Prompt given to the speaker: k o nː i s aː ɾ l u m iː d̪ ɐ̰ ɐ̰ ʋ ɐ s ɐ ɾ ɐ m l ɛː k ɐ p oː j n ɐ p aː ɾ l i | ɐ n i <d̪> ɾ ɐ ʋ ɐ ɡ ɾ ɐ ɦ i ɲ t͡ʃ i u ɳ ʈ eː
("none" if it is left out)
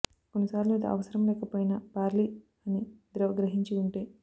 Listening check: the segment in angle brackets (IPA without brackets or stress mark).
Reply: d̪